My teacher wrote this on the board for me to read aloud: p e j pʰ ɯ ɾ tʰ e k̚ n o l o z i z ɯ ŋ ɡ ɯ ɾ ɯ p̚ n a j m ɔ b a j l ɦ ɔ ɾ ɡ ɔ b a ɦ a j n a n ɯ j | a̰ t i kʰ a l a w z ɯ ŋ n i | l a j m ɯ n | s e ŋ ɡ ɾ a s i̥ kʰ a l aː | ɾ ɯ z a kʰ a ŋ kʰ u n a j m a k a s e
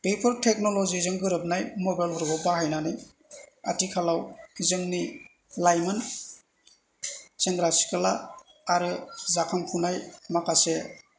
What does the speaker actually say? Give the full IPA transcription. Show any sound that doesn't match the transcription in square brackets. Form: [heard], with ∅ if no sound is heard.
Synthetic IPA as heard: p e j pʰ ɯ ɾ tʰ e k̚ n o l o z i z ɯ ŋ ɡ ɯ ɾ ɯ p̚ n a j m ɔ b a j l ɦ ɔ ɾ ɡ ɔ b a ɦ a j n a n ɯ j | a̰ t i kʰ a l a w z ɯ ŋ n i | l a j m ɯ n | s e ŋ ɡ ɾ a s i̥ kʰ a l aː | ɾ ɯ z a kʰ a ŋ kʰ u n a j m a k a s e